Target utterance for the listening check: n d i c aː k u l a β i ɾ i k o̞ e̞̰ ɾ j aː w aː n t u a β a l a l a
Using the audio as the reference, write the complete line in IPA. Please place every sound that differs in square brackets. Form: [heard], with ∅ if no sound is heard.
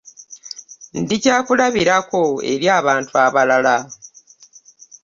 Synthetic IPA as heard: n d i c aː k u l a β i ɾ [a] k o̞ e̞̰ ɾ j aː [β] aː n t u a β a l a l a